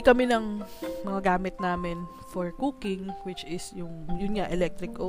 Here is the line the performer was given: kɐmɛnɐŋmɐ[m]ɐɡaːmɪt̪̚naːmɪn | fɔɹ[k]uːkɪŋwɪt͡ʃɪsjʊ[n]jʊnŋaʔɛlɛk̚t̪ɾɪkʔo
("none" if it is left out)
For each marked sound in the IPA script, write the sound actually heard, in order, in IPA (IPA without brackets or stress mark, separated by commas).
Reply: ŋ, k, ŋ